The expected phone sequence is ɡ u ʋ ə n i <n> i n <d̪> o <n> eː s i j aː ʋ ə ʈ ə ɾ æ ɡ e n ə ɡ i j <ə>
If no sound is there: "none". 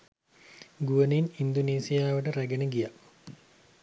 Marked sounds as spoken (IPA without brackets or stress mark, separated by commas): n, d̪, n, a